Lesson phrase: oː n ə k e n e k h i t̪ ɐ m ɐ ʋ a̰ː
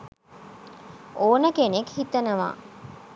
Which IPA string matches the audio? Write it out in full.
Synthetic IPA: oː n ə k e n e k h i t̪ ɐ n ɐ ʋ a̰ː